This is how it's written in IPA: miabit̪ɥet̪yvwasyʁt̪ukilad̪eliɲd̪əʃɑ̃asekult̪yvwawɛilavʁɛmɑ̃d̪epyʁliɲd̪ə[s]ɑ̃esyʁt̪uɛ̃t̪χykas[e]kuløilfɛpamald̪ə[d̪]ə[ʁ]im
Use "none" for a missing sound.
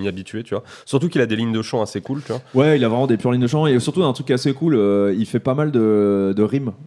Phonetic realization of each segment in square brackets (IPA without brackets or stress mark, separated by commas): ʃ, e, d̪, ʁ